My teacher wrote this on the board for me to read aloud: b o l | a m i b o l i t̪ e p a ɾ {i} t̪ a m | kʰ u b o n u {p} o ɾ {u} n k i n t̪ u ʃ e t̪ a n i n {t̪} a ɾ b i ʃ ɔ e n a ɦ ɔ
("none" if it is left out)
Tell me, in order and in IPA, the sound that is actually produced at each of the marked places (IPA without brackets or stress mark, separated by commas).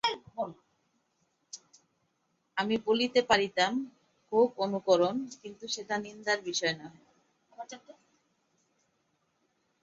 i, k, o, d̪